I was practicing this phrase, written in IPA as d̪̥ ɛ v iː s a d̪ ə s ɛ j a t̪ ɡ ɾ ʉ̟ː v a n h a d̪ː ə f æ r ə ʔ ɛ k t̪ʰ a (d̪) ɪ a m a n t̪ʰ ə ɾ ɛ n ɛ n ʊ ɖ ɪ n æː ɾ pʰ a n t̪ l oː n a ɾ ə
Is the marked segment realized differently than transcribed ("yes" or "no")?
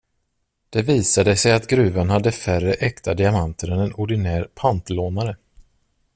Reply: no